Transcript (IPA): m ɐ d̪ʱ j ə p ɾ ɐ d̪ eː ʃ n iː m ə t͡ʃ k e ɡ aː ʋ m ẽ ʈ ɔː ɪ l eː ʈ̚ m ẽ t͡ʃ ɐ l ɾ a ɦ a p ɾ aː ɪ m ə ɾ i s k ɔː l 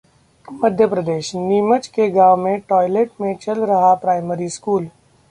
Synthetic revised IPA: m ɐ d̪ʱ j ə p ɾ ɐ d̪ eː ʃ n iː m ə t͡ʃ k e ɡ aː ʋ m ẽ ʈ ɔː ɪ l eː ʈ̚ m ẽ t͡ʃ ɐ l ɾ ɐ ɦ a p ɾ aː ɪ m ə ɾ i s k uː l